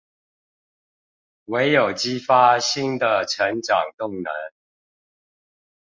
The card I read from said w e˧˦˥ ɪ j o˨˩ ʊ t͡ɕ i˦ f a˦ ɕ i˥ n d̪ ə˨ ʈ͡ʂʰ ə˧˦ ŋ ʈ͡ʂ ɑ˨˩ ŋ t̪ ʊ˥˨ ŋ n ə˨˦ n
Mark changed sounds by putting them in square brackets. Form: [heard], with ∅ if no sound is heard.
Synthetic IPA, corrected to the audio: w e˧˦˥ ɪ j o˨˩ ʊ t͡ɕ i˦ f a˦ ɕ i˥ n d̪ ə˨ ʈ͡ʂʰ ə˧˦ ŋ ʈ͡ʂ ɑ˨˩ ŋ t̪ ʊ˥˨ ŋ n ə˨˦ n